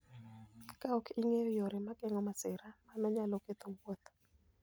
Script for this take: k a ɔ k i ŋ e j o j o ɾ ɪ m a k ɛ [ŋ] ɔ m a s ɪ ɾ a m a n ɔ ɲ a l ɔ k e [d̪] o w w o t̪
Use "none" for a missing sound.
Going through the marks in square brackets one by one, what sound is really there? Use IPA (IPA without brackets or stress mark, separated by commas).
ŋ, t̪